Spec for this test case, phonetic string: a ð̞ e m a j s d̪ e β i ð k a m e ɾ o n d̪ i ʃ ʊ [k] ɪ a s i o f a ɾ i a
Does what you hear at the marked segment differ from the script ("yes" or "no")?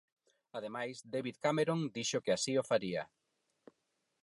no